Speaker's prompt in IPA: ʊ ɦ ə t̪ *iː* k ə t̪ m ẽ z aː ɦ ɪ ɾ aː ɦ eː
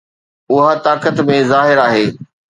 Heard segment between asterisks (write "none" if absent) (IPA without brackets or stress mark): aː